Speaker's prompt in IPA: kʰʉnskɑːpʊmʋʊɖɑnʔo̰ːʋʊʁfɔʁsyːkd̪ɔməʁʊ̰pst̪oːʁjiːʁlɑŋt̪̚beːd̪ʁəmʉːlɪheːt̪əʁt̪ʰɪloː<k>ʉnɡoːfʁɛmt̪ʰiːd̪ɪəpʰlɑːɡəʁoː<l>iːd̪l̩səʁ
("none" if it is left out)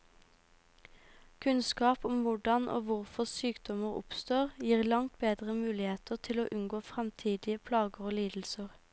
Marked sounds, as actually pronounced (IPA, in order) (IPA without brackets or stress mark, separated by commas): ʔ, l